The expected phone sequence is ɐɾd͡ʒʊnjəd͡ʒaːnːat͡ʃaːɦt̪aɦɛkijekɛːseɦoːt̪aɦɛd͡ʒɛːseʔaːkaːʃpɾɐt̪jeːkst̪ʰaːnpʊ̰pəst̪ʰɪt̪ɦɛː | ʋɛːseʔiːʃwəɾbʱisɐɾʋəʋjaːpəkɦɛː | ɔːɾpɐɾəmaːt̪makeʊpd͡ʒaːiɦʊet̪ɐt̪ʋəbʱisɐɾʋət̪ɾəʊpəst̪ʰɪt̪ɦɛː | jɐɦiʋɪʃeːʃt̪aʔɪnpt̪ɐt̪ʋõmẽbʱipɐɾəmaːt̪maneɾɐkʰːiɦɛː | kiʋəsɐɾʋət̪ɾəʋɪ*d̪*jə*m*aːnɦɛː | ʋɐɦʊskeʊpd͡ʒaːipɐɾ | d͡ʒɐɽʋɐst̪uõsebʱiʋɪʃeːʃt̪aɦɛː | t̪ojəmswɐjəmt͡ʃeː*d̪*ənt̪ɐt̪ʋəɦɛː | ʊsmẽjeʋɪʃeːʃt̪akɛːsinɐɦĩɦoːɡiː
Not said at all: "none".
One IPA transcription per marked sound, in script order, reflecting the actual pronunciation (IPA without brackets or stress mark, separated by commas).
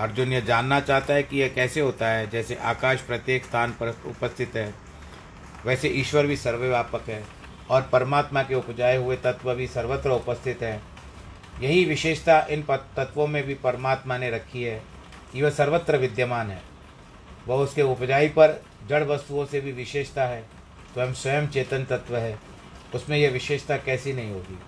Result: d̪, m, t̪